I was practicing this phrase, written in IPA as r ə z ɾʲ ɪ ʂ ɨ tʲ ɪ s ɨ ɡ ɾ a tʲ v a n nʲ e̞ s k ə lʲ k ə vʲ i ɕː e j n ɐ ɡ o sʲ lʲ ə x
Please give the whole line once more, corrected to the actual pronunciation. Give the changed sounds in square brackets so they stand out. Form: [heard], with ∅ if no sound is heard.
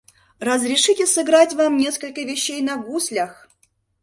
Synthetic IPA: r ə z ɾʲ ɪ ʂ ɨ tʲ ɪ s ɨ ɡ ɾ a tʲ v a [m] nʲ e̞ s k ə lʲ k ə vʲ [ɪ] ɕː e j n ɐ ɡ [u] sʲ lʲ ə x